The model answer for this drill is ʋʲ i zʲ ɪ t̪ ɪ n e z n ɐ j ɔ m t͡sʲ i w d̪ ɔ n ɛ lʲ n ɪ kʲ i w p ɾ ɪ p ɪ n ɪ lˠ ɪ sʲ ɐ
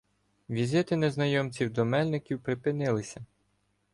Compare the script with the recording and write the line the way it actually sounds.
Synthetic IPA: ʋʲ i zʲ ɪ t̪ ɪ n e z n ɐ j ɔ m t͡sʲ i w d̪ ɔ m ɛ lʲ n ɪ kʲ i w p ɾ ɪ p ɪ n ɪ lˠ ɪ sʲ ɐ